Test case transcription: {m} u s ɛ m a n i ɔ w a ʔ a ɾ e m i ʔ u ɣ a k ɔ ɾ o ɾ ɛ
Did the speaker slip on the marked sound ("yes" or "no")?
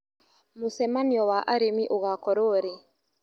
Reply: no